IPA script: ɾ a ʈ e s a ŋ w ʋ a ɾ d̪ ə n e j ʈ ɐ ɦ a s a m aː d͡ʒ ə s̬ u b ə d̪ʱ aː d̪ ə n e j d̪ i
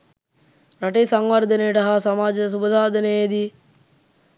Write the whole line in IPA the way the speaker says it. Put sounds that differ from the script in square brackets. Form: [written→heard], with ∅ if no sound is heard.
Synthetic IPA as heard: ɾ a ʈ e s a ŋ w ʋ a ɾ d̪ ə n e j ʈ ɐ ɦ a s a m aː d͡ʒ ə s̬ u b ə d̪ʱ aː d̪ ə n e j d̪ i